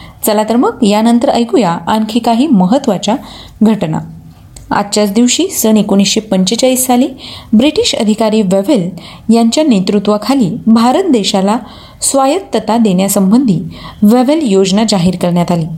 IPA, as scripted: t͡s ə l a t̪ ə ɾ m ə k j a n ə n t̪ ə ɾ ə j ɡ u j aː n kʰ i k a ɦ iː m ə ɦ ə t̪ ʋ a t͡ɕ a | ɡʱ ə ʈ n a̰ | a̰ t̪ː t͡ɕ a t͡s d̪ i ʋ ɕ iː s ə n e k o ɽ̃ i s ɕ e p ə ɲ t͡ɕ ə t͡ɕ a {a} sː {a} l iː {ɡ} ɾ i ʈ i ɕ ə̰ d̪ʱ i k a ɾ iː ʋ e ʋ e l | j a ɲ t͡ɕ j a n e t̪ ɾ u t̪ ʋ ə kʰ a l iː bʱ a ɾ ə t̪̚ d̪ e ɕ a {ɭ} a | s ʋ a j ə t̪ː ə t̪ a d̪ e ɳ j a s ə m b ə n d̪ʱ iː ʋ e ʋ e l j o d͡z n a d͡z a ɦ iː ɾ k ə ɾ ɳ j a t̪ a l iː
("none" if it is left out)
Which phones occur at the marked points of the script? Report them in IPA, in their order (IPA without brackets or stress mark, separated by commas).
i, a, b, l